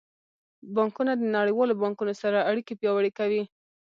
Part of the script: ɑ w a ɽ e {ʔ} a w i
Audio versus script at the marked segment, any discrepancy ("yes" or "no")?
yes